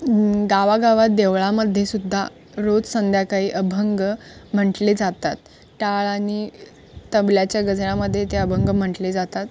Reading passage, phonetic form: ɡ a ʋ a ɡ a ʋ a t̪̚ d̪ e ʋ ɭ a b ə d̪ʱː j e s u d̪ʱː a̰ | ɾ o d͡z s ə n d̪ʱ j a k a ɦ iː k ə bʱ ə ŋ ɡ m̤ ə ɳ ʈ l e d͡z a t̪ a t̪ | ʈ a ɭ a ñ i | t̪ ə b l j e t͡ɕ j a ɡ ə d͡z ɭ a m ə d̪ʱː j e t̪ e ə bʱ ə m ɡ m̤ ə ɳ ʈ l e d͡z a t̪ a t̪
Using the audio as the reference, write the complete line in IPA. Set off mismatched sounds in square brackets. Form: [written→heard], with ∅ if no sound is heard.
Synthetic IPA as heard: ɡ a ʋ a ɡ a ʋ a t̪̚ d̪ e ʋ ɭ a [b→m] ə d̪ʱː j e s u d̪ʱː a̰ | ɾ o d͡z s ə n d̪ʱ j a k a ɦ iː [k→ʔ] ə bʱ ə ŋ ɡ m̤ ə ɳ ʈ l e d͡z a t̪ a t̪ | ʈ a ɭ a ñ i | t̪ ə b l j [e→a] t͡ɕ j a ɡ ə d͡z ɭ a m ə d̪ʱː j e t̪ e ə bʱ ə [m→ŋ] ɡ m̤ ə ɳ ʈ l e d͡z a t̪ a t̪